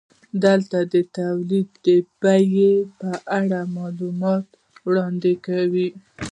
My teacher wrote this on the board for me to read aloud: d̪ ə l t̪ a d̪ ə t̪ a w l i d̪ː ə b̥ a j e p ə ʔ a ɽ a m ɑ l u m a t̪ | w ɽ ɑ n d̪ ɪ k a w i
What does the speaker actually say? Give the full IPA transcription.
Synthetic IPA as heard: d̪ ə l t̪ a d̪ ə t̪ a w l i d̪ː ə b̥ a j e p ə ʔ a ɽ a m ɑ l u m ɑ t̪ | w ɽ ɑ n d̪ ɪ k a w i